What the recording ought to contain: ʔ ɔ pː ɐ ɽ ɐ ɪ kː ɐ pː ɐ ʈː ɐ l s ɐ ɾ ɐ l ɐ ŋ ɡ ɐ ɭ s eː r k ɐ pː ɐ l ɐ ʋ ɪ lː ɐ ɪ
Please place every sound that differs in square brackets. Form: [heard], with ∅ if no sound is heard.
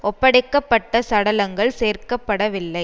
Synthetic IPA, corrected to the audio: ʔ ɔ pː ɐ ɽ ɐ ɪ kː ɐ pː ɐ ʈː ɐ [∅] s ɐ [ɽ] ɐ l ɐ ŋ ɡ ɐ ɭ s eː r k ɐ pː ɐ [ɽ] ɐ ʋ ɪ lː ɐ ɪ